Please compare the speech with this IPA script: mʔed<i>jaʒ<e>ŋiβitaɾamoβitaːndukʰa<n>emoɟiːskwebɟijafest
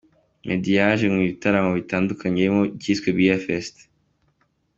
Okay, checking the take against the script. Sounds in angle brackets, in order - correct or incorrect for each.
correct, correct, incorrect: ɲ

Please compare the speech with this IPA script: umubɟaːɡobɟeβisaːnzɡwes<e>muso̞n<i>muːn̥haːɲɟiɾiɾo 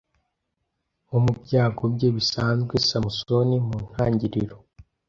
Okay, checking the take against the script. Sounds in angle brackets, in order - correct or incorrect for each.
incorrect: a, correct

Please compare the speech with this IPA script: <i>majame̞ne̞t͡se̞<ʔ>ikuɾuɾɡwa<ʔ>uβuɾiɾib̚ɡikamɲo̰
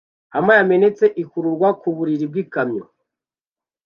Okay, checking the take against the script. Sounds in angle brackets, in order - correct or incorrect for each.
incorrect: a, correct, incorrect: k

